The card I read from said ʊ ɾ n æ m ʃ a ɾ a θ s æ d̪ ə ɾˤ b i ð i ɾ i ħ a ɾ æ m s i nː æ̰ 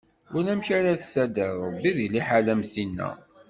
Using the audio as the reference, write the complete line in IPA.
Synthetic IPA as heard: ʊ ɾ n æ m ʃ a ɾ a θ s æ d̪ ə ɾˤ b i ð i l i ħ a l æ m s i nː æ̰